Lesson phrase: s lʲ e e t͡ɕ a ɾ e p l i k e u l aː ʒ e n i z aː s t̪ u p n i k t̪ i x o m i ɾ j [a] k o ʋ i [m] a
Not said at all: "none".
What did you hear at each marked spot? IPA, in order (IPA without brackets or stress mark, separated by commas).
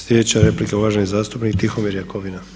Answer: a, n